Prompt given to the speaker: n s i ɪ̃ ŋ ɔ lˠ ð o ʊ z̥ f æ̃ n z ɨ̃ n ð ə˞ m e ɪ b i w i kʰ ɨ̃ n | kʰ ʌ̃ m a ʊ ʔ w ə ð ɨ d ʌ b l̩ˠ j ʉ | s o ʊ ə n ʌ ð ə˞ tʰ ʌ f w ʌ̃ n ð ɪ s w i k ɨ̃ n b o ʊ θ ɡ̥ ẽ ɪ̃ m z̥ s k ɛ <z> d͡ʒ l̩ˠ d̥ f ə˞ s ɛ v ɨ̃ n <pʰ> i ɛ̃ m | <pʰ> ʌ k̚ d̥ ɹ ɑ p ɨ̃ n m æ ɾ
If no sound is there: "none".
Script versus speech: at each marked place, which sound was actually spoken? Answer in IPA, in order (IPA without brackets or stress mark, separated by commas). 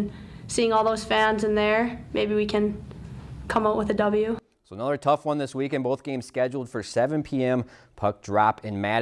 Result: none, pʰ, pʰ